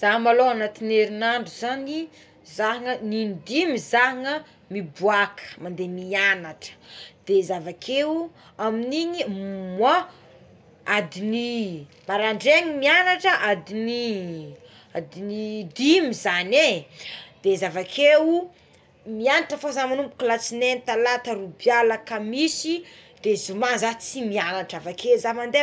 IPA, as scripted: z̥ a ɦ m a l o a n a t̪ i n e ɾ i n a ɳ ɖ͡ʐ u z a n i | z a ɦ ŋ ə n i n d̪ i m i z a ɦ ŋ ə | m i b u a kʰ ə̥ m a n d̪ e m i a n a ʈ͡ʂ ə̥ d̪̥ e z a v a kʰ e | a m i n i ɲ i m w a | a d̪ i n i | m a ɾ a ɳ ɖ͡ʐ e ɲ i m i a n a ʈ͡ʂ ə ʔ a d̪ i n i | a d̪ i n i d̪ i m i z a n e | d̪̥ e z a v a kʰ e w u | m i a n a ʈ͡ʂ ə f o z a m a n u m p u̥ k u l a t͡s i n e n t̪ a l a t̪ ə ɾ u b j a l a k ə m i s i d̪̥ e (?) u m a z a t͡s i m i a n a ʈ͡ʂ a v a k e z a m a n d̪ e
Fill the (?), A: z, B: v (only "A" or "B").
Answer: A